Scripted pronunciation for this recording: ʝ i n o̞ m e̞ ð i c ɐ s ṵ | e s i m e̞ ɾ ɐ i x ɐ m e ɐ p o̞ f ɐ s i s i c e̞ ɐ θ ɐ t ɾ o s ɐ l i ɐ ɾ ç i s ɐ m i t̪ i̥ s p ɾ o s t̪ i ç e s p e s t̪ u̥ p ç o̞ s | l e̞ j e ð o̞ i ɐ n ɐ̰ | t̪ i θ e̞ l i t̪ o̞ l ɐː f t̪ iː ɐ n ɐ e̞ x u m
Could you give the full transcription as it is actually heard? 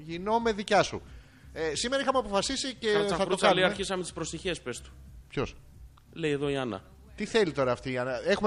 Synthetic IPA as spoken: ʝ i n o̞ m e̞ ð i c ɐ s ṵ | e s i m e̞ ɾ ɐ i x ɐ m e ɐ p o̞ f ɐ s i s i c e̞ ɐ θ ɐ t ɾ o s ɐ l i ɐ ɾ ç i s ɐ m e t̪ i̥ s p ɾ o s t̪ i ç e s p e s t̪ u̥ p ç o̞ s | l e̞ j e ð o̞ i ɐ n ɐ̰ | t̪ i θ e̞ l i t̪ o̞ ɾ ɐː f t̪ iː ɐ n ɐ e̞ x u m